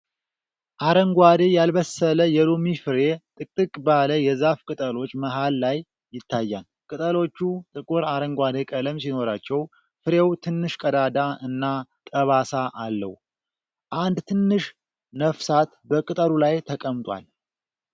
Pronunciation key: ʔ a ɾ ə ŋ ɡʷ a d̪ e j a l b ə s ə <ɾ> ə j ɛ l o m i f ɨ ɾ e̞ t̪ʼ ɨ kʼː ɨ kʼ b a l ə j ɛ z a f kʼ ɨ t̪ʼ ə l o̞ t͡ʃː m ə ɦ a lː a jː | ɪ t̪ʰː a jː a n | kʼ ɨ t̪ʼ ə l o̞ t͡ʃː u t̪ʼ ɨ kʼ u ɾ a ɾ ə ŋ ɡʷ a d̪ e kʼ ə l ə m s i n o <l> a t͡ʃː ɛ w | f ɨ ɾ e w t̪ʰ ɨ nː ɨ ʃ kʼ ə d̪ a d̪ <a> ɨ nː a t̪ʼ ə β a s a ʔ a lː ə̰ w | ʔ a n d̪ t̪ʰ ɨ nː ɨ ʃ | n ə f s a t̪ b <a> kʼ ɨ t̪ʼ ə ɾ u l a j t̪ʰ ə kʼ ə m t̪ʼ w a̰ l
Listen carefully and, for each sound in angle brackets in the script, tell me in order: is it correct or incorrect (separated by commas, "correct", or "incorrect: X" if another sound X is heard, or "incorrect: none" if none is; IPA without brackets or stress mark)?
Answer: incorrect: l, incorrect: ɾ, correct, incorrect: ə